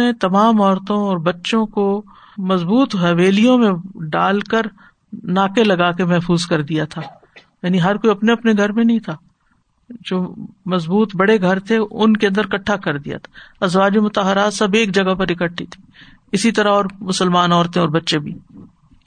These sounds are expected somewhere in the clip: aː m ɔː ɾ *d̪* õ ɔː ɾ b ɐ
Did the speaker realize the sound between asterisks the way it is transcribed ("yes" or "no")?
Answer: no